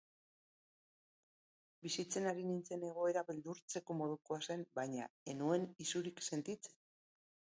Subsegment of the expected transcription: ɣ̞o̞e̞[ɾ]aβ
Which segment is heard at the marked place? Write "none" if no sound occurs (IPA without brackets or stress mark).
ɾ